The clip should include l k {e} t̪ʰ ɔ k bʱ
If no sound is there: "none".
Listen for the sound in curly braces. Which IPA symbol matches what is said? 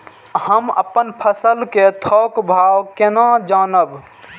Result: e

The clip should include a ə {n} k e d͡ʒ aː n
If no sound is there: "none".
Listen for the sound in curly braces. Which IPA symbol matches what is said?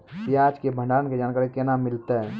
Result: n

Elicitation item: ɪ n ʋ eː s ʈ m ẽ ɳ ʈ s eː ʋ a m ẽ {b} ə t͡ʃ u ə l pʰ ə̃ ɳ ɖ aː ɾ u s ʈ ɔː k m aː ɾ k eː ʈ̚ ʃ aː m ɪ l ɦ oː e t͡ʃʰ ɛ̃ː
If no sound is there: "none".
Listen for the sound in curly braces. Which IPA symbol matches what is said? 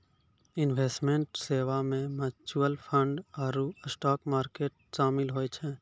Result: m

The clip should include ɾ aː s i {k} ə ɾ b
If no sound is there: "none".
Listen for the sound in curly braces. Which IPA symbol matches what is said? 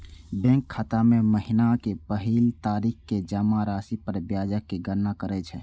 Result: p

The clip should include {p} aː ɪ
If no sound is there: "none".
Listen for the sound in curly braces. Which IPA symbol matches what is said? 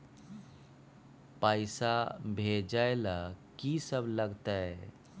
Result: p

